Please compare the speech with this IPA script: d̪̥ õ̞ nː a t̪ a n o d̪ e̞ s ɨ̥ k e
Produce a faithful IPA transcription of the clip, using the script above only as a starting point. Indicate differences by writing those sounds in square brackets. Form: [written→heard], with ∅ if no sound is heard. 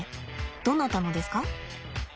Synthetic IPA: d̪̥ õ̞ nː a t̪ a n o d̪ e̞ s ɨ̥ k [e→a]